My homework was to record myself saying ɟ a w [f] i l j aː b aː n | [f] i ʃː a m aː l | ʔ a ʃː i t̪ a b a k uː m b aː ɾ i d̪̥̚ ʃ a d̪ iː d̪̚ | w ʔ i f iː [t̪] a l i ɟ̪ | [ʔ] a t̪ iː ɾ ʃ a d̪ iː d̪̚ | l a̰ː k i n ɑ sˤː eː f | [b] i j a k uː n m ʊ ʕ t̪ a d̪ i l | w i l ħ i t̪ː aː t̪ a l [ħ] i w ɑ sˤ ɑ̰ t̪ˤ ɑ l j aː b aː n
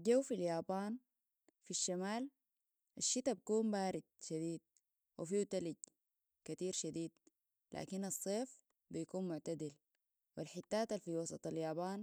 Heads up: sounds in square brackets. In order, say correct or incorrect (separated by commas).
correct, correct, correct, incorrect, correct, incorrect